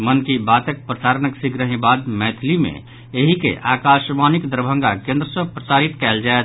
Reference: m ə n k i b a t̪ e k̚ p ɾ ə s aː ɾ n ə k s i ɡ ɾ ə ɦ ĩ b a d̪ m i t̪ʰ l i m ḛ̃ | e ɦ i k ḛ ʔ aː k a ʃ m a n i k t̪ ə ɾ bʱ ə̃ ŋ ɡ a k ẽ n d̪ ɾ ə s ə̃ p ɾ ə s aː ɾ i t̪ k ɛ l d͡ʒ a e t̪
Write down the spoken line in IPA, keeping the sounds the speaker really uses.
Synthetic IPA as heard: m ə n k i b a t̪ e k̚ p ɾ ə s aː ɾ n ə k s i ɡ ɾ ə ɦ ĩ b a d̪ m ɛ t̪ʰ l i m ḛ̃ | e ɦ i k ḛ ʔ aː k a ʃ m a n i k d̪ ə ɾ bʱ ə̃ ŋ ɡ a k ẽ n d̪ ɾ ə s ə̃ p ɾ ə s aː ɾ i t̪ k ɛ l d͡ʒ a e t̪